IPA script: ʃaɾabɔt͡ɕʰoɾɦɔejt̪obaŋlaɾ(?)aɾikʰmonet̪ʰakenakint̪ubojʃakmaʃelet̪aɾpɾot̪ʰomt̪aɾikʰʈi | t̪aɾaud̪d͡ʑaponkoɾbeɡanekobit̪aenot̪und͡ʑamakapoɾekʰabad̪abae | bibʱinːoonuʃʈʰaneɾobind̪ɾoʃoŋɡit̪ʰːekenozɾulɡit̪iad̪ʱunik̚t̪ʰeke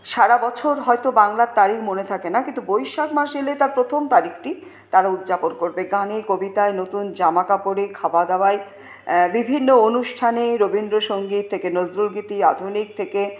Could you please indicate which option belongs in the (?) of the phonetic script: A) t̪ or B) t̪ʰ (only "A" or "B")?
A